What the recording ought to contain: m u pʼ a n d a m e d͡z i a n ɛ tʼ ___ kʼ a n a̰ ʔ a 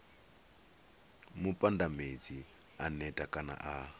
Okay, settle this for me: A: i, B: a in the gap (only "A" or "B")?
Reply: B